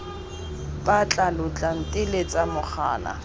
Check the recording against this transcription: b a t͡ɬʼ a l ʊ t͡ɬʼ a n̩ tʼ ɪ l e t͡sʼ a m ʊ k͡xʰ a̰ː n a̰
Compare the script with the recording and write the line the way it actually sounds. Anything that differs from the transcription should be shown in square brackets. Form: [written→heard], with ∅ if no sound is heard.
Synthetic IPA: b a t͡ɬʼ a l ʊ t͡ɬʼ a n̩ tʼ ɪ l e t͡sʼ a m ʊ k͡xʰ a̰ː n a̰